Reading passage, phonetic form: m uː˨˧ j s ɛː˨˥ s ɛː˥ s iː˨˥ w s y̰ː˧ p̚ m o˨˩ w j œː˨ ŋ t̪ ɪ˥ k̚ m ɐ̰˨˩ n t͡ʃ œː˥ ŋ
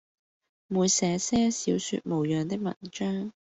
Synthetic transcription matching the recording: m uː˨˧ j s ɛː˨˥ s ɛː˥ s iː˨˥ w s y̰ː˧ t̚ m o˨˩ w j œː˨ ŋ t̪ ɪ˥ k̚ m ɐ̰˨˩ n t͡ʃ œː˥ ŋ